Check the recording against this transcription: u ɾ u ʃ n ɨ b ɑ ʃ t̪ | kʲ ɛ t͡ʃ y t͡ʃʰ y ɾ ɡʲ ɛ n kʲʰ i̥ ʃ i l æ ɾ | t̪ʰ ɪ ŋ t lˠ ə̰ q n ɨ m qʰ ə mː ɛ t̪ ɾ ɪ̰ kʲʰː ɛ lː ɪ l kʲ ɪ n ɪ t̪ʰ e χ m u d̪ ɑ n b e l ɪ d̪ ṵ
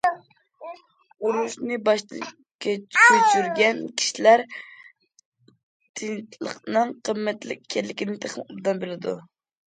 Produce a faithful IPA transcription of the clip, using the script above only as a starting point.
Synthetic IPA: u ɾ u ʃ n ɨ b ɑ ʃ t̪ | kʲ ɛ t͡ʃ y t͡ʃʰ y ɾ ɡʲ ɛ n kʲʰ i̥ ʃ i l æ ɾ | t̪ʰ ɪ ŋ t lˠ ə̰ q n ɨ ŋ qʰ ə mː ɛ t̪ l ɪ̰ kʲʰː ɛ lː ɪ kʲ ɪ n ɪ t̪ʰ e χ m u d̪ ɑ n b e l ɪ d̪ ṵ